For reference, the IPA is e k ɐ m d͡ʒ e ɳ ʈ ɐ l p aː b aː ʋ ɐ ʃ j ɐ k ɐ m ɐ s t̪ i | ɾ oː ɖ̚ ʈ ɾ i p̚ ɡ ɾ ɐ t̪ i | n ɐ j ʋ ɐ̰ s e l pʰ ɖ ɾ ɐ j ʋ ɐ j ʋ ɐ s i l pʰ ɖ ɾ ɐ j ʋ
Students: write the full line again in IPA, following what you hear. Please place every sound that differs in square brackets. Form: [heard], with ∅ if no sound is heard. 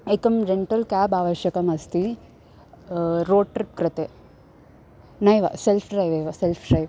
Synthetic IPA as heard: e k ɐ m d͡ʒ e ɳ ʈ ɐ l [k] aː b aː ʋ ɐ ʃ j ɐ k ɐ m ɐ s t̪ i | ɾ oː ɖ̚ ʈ ɾ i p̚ [k] ɾ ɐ t̪ [e] | n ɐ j ʋ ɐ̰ s e l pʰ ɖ ɾ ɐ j ʋ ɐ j ʋ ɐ s [e] l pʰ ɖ ɾ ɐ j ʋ